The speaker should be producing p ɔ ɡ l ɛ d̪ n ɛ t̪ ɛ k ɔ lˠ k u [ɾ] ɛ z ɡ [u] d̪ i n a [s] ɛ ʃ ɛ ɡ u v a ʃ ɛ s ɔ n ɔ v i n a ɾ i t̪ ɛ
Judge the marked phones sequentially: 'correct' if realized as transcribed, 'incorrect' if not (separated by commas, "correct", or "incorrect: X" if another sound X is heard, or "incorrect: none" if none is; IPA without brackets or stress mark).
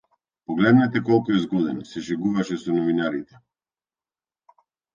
incorrect: none, incorrect: ɔ, correct